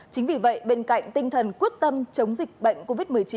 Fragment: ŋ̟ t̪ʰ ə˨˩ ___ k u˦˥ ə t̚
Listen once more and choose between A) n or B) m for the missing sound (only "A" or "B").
A